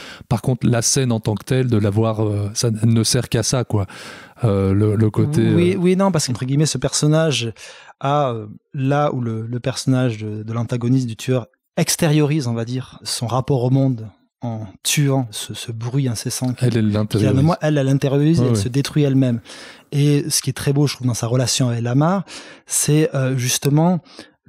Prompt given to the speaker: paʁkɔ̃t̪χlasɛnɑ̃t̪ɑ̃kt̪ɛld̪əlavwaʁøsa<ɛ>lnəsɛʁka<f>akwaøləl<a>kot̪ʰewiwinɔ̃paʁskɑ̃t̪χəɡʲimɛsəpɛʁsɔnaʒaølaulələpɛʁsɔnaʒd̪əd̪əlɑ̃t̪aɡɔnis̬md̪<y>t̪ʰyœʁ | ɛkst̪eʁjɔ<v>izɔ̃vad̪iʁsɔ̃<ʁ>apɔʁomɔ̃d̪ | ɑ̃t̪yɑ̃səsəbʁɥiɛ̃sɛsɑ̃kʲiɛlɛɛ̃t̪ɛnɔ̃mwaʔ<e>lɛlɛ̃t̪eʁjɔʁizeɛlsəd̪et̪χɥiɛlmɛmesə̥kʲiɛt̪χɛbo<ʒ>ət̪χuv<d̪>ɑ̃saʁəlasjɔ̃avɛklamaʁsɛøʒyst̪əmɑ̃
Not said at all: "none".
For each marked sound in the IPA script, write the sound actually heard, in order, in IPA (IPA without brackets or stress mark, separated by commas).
ɛ, s, ə, y, ʁ, ʁ, ɛ, ʒ, d̪